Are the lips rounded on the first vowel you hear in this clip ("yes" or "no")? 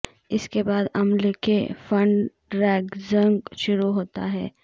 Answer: no